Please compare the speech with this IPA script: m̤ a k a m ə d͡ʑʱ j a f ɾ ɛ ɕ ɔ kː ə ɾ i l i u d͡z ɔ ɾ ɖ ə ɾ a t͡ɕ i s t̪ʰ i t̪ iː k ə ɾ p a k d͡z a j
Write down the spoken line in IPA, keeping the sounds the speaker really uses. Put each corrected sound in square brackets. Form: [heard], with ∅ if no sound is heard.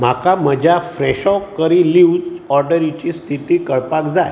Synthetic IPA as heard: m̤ a k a m ə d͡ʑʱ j a f ɾ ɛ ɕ ɔ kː ə ɾ i l i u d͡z ɔ ɾ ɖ ə ɾ [i] t͡ɕ i s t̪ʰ i t̪ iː k ə [ɭ] p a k d͡z a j